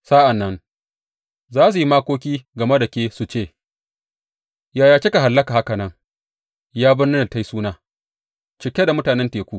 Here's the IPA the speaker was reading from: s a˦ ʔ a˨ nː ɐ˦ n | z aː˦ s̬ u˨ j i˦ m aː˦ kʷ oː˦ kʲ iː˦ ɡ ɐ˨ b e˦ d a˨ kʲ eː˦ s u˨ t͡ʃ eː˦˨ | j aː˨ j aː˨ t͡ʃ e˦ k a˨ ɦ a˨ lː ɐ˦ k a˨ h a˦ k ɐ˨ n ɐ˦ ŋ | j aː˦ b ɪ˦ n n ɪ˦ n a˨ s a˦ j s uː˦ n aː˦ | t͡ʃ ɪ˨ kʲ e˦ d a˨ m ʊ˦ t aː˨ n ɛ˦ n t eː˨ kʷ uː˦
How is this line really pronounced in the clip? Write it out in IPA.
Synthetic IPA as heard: s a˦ ʔ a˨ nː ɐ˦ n | z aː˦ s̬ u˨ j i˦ m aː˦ kʷ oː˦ kʲ iː˦ ɡ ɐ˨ m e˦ d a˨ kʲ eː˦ s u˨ t͡ʃ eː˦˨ | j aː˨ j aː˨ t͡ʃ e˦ k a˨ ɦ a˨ lː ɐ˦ k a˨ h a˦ k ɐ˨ n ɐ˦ ŋ | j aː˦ b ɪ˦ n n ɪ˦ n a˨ t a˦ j s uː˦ n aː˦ | t͡ʃ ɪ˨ kʲ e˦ d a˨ m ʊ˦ t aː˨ n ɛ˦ n t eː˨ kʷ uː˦